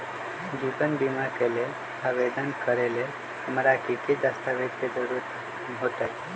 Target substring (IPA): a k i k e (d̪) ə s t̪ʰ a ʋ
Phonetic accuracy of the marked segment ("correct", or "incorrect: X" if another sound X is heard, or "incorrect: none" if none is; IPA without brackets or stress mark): correct